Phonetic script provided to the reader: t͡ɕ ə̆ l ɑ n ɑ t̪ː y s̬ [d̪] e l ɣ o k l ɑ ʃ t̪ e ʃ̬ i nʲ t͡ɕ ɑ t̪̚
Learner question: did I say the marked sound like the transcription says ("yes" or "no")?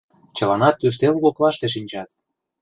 no